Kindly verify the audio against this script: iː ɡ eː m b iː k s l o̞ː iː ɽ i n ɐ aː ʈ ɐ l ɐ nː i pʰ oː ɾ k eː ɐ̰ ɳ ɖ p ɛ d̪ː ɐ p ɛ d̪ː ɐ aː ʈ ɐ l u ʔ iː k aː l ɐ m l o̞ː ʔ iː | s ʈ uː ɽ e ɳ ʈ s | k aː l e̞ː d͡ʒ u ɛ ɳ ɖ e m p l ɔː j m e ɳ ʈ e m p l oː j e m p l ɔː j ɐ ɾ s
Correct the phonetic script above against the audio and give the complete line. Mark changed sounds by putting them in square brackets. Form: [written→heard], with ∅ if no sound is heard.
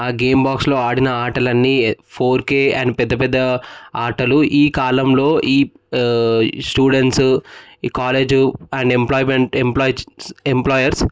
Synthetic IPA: [iː→aː] ɡ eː m b [iː→aː] k s l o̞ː [iː→aː] ɽ i n ɐ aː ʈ ɐ l ɐ nː i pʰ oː ɾ k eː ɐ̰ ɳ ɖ p ɛ d̪ː ɐ p ɛ d̪ː ɐ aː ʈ ɐ l u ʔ iː k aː l ɐ m l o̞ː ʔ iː | s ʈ uː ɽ e ɳ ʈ s | k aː l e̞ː d͡ʒ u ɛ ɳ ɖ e m p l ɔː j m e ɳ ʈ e m p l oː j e m p l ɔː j ɐ ɾ s